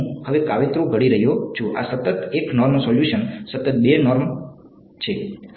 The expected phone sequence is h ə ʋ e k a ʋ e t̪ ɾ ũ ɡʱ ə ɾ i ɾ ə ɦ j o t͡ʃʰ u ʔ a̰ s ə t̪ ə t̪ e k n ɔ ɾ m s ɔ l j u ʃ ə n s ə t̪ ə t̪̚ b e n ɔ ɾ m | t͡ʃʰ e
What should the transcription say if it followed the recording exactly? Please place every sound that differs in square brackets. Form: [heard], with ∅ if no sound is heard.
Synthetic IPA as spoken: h ə ʋ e k a ʋ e t̪ ɾ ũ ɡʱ ə [ɽ] i ɾ ə ɦ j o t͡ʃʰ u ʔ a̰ s ə t̪ ə t̪ e k n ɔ ɾ m s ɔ l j u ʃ ə n s ə t̪ ə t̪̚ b e n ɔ ɾ m | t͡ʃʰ e